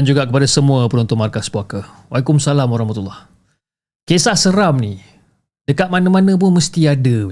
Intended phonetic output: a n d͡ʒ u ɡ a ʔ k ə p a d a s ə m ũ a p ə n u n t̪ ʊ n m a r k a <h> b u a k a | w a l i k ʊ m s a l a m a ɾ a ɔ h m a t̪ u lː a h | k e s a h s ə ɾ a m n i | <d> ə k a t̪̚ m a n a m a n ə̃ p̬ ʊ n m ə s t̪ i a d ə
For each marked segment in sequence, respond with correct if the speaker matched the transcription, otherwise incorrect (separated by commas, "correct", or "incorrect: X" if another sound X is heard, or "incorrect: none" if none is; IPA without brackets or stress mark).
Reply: incorrect: s, correct